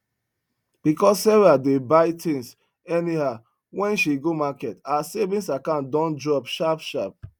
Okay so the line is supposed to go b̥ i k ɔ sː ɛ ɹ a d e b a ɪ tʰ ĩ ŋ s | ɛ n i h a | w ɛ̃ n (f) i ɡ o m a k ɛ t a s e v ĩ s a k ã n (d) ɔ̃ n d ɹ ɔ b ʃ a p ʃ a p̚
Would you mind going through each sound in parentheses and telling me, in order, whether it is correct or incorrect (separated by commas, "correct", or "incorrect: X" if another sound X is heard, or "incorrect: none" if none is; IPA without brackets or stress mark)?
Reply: incorrect: ʃ, correct